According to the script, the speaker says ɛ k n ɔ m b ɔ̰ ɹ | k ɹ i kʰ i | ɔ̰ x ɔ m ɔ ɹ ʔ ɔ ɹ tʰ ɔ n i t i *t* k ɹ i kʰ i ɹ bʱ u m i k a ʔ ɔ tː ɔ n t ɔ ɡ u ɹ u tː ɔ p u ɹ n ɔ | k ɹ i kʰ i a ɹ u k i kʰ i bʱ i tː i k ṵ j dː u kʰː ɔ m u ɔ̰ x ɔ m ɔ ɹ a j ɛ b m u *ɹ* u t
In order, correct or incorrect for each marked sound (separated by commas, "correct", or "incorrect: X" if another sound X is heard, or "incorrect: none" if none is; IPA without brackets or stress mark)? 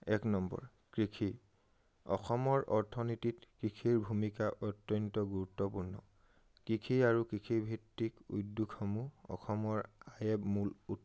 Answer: correct, incorrect: l